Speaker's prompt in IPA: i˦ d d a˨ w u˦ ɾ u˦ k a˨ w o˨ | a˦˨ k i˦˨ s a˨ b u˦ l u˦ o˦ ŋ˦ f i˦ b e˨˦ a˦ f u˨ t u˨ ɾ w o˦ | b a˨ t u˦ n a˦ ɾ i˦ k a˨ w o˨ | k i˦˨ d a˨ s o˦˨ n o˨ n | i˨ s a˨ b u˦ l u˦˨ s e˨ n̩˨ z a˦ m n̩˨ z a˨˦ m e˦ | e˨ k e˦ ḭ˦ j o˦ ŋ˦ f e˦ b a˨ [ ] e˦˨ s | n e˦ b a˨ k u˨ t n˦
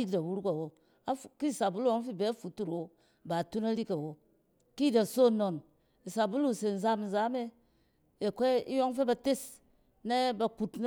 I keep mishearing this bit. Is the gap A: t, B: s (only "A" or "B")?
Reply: A